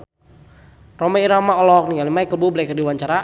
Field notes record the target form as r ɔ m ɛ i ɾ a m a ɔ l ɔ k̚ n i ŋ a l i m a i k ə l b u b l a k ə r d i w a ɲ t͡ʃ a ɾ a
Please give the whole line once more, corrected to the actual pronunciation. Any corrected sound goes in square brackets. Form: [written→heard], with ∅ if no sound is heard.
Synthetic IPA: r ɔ m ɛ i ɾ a m a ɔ l ɔ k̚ n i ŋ a l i m a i k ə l b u b l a k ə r d i w a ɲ t͡ʃ a ɾ a